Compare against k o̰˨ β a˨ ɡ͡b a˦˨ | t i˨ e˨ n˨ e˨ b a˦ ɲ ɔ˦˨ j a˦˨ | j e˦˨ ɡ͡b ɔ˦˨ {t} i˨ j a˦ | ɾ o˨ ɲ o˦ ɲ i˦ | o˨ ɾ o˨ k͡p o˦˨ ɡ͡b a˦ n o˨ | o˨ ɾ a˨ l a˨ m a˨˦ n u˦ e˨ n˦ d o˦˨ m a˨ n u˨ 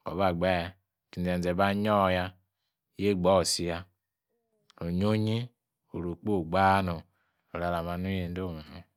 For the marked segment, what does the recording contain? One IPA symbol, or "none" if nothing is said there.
s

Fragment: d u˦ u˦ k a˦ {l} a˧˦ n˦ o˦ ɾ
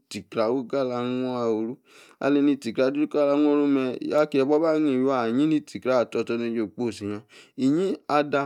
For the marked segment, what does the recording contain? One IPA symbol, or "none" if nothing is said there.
l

